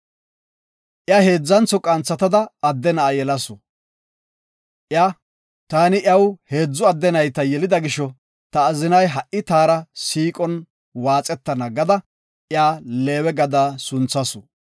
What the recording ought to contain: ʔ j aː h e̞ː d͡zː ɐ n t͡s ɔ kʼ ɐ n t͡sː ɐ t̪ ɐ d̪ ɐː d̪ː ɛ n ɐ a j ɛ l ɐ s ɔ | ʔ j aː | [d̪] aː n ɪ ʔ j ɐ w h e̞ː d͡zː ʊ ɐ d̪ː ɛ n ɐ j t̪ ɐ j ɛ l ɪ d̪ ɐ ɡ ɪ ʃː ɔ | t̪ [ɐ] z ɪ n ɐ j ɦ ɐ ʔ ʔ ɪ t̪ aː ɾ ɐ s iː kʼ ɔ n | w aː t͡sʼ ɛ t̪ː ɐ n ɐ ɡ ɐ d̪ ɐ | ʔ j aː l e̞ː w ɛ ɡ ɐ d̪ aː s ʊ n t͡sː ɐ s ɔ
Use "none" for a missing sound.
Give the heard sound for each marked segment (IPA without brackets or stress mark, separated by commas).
t̪, ɐː